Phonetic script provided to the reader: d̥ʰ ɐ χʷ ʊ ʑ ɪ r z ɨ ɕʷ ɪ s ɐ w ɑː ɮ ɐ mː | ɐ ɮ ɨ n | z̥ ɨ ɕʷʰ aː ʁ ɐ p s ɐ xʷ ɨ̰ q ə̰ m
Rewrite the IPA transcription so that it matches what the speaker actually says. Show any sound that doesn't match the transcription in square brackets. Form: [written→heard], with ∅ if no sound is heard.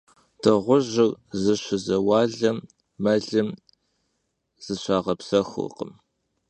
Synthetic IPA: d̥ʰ ɐ [χʷ→ʁʷ] ʊ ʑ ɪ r z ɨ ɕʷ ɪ [s→z] ɐ w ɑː ɮ ɐ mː | ɐ ɮ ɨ [n→m] | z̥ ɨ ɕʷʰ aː ʁ ɐ p s ɐ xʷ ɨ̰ q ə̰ m